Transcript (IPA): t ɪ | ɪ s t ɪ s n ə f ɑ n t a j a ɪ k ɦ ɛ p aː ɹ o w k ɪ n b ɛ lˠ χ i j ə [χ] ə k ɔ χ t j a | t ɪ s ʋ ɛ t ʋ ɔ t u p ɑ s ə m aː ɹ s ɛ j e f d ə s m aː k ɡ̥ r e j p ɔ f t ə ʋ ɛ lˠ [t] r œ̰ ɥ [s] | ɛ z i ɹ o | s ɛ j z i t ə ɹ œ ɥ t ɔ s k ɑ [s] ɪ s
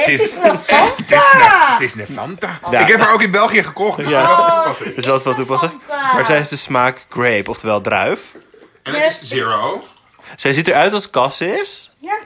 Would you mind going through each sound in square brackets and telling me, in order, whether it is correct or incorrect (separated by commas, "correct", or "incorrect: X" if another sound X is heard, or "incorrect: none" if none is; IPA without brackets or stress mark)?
correct, incorrect: d, incorrect: f, correct